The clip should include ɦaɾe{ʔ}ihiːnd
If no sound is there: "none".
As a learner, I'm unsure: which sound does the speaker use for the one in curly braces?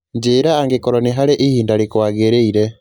ʔ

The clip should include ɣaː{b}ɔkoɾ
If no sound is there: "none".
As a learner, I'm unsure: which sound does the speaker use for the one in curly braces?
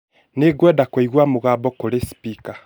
b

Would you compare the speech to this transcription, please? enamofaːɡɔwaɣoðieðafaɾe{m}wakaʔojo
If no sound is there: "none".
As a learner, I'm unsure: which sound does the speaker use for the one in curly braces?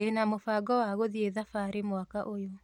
m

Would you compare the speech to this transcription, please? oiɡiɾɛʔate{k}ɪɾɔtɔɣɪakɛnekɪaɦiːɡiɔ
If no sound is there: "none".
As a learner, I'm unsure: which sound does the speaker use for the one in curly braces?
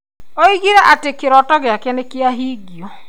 k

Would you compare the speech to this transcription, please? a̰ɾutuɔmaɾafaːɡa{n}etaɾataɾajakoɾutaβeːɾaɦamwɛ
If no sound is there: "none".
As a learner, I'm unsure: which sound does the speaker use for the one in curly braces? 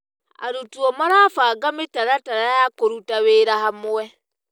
m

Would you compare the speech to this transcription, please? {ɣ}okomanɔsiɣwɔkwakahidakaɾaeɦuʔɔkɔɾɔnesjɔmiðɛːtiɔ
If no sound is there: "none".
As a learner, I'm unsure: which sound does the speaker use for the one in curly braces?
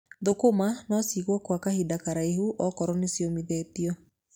ð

